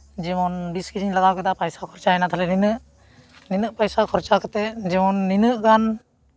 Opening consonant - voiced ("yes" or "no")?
yes